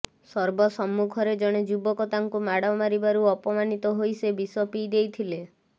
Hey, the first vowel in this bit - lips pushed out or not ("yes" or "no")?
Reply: yes